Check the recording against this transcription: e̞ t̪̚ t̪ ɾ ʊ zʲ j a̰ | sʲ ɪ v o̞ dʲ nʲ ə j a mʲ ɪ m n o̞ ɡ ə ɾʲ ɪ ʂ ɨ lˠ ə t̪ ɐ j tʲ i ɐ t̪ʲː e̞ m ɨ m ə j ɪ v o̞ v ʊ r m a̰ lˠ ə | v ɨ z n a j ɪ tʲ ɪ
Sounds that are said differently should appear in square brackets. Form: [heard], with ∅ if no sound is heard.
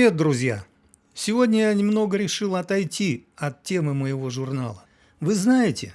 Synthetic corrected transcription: e̞ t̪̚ [d̪] ɾ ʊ zʲ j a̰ | sʲ ɪ v o̞ dʲ nʲ ə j a [nʲ] ɪ m n o̞ ɡ ə ɾʲ ɪ ʂ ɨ lˠ [ɐ] t̪ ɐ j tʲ i ɐ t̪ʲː e̞ m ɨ m ə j ɪ v o̞ [ʐ] ʊ r [n] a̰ lˠ ə | v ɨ z n a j ɪ tʲ ɪ